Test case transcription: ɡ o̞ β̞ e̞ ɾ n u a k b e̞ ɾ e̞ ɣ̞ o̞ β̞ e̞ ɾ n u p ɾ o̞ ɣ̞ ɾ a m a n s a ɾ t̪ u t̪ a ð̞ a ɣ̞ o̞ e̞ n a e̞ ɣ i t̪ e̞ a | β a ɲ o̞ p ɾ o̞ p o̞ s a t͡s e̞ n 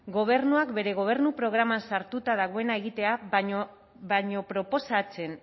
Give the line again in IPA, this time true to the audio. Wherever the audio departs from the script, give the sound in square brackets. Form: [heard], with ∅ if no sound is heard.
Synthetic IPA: ɡ o̞ β̞ e̞ ɾ n u a k b e̞ ɾ e̞ ɣ̞ o̞ β̞ e̞ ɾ n u p ɾ o̞ ɣ̞ ɾ a m a n s a ɾ t̪ u t̪ a ð̞ a ɣ̞ o̞ e̞ n a e̞ ɣ i t̪ e̞ a | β a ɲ o̞ p ɾ o̞ p o̞ s a t͡s e̞ n